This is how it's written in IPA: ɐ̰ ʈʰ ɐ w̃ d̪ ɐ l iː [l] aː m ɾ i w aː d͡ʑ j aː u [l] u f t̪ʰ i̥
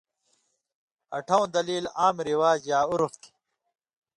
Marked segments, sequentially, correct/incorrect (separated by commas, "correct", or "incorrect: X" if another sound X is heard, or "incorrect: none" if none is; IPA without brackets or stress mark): correct, incorrect: ɾ